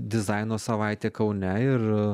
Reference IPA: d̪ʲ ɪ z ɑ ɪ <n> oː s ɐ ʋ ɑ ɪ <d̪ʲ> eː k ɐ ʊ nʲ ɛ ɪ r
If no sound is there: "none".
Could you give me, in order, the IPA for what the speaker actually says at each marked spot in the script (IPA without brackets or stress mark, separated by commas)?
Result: n, t̪ʲ